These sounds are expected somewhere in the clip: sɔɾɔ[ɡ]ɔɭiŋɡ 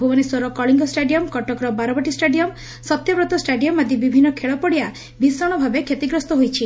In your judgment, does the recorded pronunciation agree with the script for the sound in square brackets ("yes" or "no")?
no